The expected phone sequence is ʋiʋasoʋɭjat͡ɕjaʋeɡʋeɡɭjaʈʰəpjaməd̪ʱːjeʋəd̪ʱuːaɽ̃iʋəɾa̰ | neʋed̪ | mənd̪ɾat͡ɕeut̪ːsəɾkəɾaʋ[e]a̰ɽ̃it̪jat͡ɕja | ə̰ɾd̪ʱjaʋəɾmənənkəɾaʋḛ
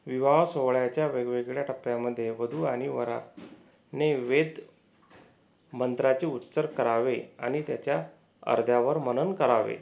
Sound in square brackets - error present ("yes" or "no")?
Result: no